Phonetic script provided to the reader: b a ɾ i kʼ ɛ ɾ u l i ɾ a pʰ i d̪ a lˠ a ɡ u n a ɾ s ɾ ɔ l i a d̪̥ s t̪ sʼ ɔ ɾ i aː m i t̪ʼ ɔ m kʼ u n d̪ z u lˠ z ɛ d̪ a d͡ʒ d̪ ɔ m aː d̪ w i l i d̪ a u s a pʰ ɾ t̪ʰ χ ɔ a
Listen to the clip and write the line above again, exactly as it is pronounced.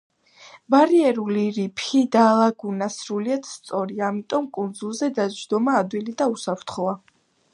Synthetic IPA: b a ɾ i ɛ ɾ u l i ɾ i pʰ i d̪ a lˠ a ɡ u n a s ɾ u l i a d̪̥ s t̪ sʼ ɔ ɾ i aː m i t̪ʼ ɔ m kʼ u n d̪ z u lˠ z ɛ d̪ a d͡ʒ d̪ ɔ m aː d̪ w i l i d̪ a u s a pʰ ɾ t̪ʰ χ ɔ a